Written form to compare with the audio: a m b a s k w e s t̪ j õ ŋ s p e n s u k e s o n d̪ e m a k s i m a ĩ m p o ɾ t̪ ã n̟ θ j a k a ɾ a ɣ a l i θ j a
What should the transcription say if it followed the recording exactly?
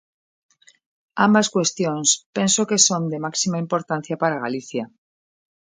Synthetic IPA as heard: a m b a s k w e s t̪ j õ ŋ s p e n s o k e s o n d̪ e m a k s i m a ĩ m p o ɾ t̪ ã n̟ θ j a p a ɾ a ɣ a l i θ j a